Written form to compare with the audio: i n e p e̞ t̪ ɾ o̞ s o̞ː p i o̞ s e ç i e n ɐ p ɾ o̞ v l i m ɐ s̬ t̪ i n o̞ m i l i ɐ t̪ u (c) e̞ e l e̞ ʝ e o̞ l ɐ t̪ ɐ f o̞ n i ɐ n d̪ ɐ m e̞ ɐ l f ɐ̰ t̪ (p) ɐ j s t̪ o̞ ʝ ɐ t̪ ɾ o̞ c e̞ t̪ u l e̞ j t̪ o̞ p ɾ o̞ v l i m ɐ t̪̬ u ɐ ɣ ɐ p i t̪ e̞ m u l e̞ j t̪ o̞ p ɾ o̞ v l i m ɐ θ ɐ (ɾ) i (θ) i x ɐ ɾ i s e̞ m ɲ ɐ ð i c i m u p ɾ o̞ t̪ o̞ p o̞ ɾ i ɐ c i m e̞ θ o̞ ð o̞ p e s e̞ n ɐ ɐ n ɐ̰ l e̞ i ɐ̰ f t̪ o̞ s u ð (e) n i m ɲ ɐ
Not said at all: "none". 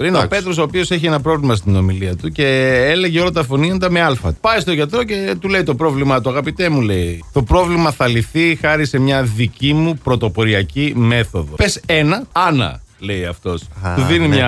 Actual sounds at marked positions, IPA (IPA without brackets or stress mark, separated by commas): c, p, l, θ, i